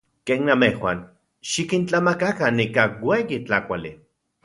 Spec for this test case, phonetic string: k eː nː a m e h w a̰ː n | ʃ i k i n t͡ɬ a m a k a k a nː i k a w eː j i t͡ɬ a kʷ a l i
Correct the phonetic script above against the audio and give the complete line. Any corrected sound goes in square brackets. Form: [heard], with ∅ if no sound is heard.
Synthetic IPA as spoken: k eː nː a m e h w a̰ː n | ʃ i k i n t͡ɬ a m a k a k a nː i k a w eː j i t͡ɬ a kʷ a l i